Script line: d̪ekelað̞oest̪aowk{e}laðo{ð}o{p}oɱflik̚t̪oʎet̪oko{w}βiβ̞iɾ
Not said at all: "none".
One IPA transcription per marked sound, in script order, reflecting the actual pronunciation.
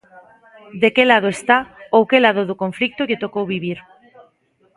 e, ð, k, w

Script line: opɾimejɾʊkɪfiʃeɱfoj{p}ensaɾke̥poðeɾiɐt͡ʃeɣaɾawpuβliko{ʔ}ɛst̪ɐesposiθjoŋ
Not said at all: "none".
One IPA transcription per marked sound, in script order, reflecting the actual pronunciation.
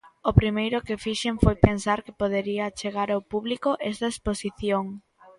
p, ʔ

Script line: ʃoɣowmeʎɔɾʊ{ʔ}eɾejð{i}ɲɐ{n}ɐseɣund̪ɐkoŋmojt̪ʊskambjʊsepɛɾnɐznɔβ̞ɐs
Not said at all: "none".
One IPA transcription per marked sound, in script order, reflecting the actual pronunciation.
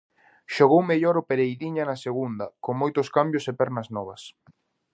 p, i, n

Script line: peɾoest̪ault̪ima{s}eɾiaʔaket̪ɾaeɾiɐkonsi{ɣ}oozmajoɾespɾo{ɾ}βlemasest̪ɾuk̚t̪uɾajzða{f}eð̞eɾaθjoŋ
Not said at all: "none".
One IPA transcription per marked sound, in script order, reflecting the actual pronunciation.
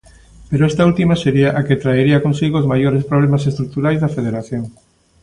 s, ɣ, none, f

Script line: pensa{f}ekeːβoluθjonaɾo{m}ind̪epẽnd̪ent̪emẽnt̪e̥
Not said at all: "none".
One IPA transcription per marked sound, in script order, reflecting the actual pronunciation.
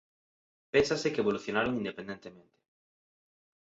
s, ŋ

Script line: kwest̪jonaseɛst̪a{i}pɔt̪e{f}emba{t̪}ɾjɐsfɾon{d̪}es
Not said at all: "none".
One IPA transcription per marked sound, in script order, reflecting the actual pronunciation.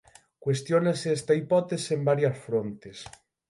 i, s, none, t̪

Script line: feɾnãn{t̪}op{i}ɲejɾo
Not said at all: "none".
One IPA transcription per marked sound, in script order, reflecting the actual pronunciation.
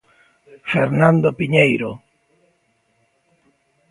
d̪, i

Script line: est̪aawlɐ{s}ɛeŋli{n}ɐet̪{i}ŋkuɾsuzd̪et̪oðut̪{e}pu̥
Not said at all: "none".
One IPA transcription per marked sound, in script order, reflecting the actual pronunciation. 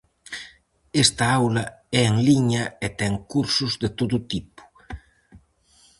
none, ɲ, ɛ, i

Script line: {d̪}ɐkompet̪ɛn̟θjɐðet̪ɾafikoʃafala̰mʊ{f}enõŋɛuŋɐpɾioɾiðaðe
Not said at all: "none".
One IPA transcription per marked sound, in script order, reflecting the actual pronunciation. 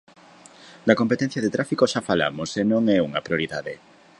d̪, s

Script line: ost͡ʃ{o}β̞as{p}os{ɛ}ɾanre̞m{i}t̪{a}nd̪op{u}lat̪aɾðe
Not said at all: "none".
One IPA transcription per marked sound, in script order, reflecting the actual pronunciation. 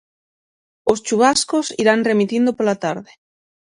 u, k, i, i, i, o

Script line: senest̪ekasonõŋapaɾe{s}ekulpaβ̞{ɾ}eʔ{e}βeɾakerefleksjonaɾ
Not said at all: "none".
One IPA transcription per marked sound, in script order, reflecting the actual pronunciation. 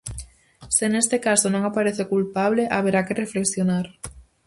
θ, l, a

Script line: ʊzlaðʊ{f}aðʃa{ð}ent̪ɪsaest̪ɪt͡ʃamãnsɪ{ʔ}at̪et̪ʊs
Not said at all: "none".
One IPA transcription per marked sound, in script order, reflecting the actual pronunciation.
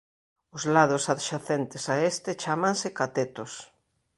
s, θ, k

